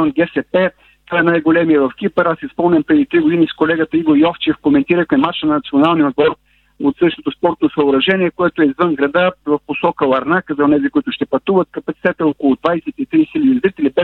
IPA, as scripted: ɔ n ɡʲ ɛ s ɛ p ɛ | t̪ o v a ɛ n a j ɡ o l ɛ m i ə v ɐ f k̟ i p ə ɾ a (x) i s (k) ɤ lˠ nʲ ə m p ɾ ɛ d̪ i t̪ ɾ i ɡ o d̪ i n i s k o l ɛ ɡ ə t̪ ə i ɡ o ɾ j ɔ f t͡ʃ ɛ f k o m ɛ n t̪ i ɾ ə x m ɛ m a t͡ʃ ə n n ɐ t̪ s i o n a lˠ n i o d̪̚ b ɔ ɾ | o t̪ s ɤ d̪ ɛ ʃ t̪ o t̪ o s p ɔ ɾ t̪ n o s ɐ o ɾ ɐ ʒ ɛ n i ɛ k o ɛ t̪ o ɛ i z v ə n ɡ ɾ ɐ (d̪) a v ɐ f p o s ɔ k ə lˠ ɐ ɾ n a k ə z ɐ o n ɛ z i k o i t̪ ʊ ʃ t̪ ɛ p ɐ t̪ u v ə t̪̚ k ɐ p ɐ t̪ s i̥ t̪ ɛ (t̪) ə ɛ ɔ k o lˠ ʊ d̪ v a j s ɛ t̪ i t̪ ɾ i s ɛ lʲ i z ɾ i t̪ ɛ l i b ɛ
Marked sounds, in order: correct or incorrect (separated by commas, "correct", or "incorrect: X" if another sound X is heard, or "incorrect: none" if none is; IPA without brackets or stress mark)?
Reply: incorrect: s, incorrect: p, correct, correct